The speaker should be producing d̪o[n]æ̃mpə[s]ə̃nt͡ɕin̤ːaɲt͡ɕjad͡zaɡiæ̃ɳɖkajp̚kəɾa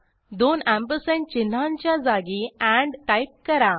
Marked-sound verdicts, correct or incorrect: correct, correct

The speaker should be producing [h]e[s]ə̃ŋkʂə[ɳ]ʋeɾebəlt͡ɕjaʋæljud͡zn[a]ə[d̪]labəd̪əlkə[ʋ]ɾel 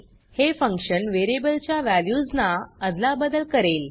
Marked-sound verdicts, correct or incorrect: correct, incorrect, incorrect, correct, correct, incorrect

